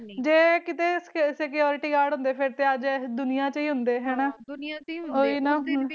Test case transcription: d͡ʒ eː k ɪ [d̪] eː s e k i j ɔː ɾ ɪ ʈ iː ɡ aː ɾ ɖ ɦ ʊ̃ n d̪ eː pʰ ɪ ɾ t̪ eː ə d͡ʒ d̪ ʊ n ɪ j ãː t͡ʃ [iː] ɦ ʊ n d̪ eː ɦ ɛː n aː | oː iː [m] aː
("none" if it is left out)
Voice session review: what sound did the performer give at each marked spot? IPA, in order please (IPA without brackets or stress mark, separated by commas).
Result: t̪, iː, n